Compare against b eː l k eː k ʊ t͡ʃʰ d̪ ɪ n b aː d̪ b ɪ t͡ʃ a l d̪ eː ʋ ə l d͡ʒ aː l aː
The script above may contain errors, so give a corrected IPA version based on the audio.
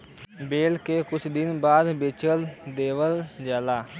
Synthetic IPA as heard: b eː l k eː k ʊ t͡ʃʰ d̪ ɪ n b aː d̪ b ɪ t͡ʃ ə l d̪ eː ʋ ə l d͡ʒ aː l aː

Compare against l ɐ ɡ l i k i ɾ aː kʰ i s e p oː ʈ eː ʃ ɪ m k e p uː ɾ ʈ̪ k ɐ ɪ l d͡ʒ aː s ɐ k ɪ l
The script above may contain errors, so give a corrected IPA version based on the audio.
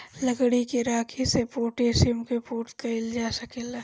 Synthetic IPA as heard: l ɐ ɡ ɽ i k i ɾ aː kʰ i s e p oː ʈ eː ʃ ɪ m k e p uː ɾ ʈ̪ k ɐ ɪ l d͡ʒ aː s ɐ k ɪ l

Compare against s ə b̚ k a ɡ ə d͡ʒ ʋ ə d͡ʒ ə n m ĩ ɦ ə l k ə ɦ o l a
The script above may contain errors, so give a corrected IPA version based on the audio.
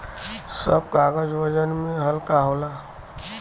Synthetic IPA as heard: s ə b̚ k a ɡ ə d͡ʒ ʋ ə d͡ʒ ə n m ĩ ɦ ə l k a ɦ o l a

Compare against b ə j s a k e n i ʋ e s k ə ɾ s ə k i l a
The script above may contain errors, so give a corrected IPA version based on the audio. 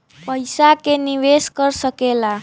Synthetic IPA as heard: p ə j s a k e n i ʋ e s k ə ɾ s ə k e l a

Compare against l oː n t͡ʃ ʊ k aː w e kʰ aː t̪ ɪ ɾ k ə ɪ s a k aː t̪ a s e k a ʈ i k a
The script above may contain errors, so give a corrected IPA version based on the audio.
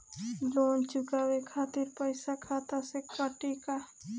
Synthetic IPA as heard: l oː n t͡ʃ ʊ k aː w e kʰ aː t̪ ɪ ɾ p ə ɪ s a kʰ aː t̪ a s e k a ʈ i k a

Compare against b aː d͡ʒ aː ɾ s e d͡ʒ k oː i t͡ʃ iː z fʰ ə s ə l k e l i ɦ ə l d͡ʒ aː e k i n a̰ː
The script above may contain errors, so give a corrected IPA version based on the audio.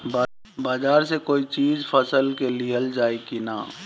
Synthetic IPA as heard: b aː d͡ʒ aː ɾ s e k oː i t͡ʃ iː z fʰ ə s ə l k e l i ɦ ə l d͡ʒ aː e k i n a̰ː

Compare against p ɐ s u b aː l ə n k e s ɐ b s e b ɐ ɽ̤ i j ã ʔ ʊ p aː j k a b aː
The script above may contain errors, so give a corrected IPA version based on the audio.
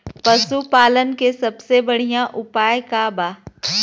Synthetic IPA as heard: p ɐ s u p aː l ə n k e s ɐ b s e b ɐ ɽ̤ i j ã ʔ ʊ p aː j k a b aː

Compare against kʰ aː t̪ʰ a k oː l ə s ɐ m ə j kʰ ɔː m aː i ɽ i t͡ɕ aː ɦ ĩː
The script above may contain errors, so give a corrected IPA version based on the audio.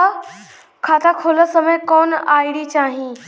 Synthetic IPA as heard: kʰ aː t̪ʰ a kʰ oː l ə s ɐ m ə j k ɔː n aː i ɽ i t͡ɕ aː ɦ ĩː

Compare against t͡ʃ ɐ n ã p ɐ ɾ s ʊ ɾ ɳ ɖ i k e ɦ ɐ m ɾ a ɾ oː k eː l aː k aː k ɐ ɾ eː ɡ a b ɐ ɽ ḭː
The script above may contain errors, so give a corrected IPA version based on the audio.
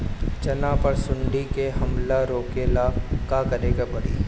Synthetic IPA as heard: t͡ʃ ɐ n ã p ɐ ɾ s ʊ ɳ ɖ i k e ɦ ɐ m l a ɾ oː k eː l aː k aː k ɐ ɾ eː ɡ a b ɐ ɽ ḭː

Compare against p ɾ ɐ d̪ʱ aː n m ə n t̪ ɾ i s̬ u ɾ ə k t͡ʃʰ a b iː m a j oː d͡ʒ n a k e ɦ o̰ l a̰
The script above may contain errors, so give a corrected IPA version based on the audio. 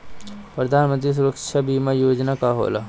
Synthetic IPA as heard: p ɾ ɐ d̪ʱ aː n m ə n t̪ ɾ i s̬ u ɾ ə k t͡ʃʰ a b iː m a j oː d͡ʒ n a k a ɦ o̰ l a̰

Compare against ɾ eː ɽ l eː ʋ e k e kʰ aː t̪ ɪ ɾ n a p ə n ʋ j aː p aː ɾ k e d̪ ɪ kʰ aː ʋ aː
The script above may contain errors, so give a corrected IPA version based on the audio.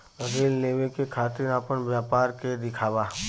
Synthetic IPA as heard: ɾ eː l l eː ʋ e k e kʰ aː t̪ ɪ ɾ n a p ə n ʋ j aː p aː ɾ k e d̪ ɪ kʰ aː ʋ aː

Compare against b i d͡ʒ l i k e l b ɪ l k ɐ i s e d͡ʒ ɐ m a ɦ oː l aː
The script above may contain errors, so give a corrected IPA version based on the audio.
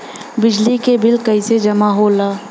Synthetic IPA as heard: b ɪ d͡ʒ l i k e b ɪ l k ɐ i s e d͡ʒ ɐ m a ɦ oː l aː

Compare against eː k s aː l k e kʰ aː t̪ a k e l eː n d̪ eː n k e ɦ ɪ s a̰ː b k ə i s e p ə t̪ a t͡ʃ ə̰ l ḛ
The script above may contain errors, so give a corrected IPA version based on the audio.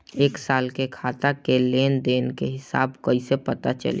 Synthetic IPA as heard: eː k s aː l k e kʰ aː t̪ a k e l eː n d̪ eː n k e ɦ ɪ s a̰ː b k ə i s e p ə t̪ a t͡ʃ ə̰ l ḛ

